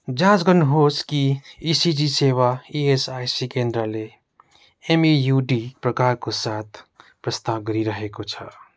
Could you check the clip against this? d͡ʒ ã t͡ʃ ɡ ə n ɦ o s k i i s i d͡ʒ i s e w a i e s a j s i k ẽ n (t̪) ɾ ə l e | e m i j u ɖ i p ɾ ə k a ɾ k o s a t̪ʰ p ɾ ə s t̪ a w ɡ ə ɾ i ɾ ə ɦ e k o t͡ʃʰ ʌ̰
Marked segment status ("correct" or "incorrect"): incorrect